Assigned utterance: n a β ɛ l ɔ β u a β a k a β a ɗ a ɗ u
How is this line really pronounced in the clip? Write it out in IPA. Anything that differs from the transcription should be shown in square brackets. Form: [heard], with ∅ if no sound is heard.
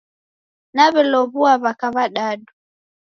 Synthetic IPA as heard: n a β ɛ l ɔ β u a β a k a β a ɗ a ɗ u

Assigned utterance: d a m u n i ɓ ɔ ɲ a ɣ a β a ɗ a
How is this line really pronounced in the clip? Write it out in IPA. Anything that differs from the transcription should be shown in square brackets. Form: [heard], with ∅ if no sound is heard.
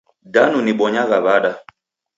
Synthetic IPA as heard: d a [n] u n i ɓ ɔ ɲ a ɣ a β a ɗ a

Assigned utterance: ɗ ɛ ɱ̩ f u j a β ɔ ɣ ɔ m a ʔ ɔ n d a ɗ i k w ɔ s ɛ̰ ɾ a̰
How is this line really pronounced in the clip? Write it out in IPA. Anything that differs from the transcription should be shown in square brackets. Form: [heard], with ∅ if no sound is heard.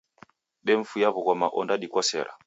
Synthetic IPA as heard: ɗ ɛ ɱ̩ f u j a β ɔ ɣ ɔ m a ʔ ɔ n d a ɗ i k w ɔ s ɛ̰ ɾ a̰

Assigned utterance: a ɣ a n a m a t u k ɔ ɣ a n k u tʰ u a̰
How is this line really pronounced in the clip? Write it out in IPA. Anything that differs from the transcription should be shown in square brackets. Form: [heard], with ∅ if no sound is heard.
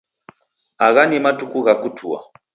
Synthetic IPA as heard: a ɣ a n [i] m a t u k [u] ɣ a [∅] k u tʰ u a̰

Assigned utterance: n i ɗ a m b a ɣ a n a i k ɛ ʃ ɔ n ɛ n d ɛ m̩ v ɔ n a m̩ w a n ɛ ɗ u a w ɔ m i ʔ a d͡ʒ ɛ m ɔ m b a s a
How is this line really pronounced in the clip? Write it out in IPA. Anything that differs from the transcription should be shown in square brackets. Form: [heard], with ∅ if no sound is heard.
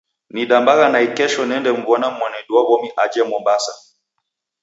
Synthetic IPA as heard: n i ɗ a m b a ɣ a n a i k ɛ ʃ ɔ n ɛ n d ɛ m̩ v ɔ n a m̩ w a n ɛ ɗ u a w ɔ m i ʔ a d͡ʒ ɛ m ɔ m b a s a

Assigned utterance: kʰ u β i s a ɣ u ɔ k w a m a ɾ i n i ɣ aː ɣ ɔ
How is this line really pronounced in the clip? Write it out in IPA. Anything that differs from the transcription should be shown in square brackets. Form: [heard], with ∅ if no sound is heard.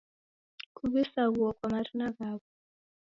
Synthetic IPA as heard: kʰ u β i s a ɣ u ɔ k w a m a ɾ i n [a] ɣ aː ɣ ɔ

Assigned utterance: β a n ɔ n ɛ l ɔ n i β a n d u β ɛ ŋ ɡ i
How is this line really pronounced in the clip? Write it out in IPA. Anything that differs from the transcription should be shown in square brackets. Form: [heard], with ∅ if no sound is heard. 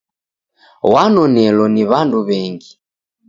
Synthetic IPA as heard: [w] a n ɔ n ɛ l ɔ n i β a n d u β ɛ ŋ ɡ i

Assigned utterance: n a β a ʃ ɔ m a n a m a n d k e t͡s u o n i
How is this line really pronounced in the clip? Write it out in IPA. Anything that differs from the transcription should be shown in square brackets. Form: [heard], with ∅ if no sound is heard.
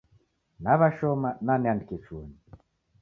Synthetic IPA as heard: n a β a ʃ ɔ m a n a [n] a n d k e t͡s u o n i

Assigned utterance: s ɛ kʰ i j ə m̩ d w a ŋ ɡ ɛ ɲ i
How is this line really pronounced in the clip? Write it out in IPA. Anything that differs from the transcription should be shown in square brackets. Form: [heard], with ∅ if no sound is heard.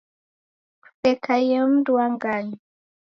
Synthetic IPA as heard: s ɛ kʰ [a] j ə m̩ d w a ŋ ɡ [a] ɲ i

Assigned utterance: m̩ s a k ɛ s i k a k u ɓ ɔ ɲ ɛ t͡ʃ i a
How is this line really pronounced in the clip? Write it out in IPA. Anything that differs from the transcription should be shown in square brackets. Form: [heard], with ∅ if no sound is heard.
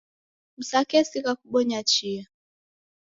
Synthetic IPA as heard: m̩ s a k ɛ s i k a k u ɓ ɔ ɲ [a] t͡ʃ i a

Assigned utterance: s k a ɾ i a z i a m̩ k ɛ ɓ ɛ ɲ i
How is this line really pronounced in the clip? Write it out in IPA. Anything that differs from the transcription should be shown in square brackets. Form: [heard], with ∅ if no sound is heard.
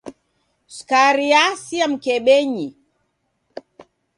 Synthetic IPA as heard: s k a ɾ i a [s] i a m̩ k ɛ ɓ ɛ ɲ i

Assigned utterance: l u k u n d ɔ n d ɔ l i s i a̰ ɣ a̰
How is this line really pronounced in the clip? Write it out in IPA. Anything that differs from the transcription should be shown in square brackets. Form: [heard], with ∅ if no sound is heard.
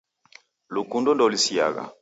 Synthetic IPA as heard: l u k u n d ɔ n d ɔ l i s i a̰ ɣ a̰

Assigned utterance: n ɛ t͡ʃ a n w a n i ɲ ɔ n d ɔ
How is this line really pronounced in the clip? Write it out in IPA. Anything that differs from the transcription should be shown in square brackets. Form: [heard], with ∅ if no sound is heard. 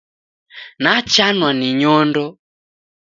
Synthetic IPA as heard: n [a] t͡ʃ a n w a n i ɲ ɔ n d ɔ

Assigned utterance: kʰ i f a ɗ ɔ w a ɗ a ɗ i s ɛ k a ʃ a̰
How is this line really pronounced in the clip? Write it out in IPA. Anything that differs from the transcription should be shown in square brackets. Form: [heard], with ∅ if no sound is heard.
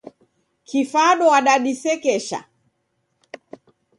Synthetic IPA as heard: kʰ i f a ɗ ɔ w a ɗ a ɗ i s ɛ k [ɛ] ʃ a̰

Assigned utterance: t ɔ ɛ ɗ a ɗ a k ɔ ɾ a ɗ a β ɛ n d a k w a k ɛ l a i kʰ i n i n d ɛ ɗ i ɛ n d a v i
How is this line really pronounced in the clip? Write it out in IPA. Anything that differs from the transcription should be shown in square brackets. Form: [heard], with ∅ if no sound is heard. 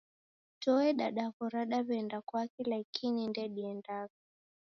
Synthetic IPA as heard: t ɔ ɛ ɗ a ɗ a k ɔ ɾ a ɗ a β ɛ n d a k w a k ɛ l a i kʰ i n i n d ɛ ɗ i ɛ n d a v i

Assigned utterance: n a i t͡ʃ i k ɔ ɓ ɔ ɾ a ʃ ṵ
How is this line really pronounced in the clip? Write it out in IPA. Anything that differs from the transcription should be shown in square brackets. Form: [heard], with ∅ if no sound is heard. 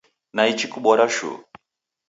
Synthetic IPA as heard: n a i t͡ʃ i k [u] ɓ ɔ ɾ a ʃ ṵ

